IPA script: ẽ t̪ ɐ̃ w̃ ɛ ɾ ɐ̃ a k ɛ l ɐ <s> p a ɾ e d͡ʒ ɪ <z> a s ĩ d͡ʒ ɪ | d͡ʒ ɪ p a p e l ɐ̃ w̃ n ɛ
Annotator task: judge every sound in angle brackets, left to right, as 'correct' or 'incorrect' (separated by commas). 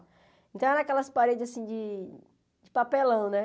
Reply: correct, correct